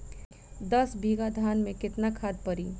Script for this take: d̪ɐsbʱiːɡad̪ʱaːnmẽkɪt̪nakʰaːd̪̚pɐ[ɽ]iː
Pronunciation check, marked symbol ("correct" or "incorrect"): incorrect